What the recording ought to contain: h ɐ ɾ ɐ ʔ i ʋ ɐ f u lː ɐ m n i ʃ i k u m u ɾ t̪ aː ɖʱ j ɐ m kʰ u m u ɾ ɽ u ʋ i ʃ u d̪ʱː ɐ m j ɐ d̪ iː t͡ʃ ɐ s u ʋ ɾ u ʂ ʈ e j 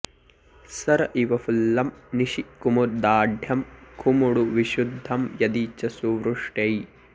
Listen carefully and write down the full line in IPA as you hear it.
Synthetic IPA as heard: s ɐ ɾ ɐ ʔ i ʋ ɐ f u lː ɐ m n i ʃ i k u m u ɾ d̪ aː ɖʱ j ɐ m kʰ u m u ɽ u ʋ i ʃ u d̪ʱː ɐ m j ɐ d̪ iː t͡ʃ ɐ s u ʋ ɾ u ʂ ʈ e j

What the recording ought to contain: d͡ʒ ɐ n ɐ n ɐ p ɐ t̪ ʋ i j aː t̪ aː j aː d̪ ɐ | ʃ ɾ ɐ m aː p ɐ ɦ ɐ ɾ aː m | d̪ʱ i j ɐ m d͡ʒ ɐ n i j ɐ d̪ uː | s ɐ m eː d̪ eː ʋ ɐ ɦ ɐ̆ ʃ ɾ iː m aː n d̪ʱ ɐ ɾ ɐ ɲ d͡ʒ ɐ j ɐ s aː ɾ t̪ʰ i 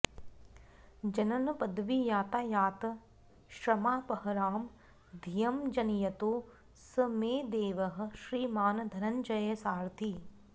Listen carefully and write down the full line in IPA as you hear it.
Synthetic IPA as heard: d͡ʒ ɐ n ɐ n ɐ p ɐ d̪ ʋ i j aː t̪ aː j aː t̪ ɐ | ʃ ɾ ɐ m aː p ɐ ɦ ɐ ɾ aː m | d̪ʱ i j ɐ m d͡ʒ ɐ n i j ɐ t̪ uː | s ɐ m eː d̪ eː ʋ ɐ ɦ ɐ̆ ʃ ɾ iː m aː n d̪ʱ ɐ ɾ ɐ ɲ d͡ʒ ɐ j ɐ s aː ɾ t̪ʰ i

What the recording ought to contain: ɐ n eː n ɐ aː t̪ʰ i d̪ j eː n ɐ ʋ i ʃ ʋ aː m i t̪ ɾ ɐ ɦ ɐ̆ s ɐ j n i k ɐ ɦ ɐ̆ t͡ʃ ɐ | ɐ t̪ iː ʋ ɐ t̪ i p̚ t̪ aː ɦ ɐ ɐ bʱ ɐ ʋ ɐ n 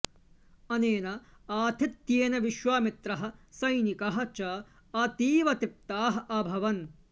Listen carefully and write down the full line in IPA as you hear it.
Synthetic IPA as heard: ɐ n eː n ɐ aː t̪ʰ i t̪ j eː n ɐ ʋ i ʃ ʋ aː m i t̪ ɾ ɐ ɦ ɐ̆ s ɐ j n i k ɐ ɦ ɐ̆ t͡ʃ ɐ | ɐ t̪ iː ʋ ɐ t̪ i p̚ t̪ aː ɦ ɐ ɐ bʱ ɐ ʋ ɐ n

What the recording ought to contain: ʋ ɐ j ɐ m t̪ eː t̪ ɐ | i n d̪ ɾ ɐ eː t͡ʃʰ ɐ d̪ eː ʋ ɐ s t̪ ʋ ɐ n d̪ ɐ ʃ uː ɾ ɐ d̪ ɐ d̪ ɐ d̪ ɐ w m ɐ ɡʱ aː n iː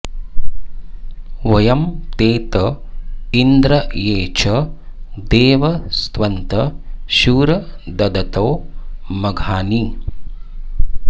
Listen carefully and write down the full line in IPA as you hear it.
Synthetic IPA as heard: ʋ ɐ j ɐ m t̪ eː t̪ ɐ | i n d̪ ɾ ɐ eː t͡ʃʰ ɐ d̪ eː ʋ ɐ s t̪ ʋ ɐ n t̪ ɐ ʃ uː ɾ ɐ d̪ ɐ d̪ ɐ t̪ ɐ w m ɐ ɡʱ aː n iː

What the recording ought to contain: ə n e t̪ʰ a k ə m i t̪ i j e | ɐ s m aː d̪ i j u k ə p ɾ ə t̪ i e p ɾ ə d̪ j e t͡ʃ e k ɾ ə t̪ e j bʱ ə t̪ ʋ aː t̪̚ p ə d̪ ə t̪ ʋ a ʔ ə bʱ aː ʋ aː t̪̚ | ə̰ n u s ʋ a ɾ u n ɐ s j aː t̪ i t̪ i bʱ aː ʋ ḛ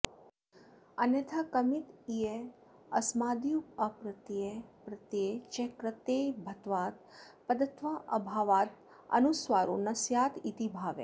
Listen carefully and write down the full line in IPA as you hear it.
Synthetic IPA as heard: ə n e t̪ʰ a k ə m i t̪ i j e | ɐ s m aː d̪ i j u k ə p ɾ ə t̪ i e p ɾ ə t̪ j e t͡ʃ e k ɾ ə t̪ e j bʱ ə t̪ ʋ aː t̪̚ p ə d̪ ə t̪ ʋ a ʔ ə bʱ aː ʋ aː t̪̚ | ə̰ n u s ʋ a ɾ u n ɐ s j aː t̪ i t̪ i bʱ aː ʋ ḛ

